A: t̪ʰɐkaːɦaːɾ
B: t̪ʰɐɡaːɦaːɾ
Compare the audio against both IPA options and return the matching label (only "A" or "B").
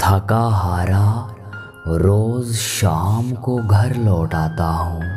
A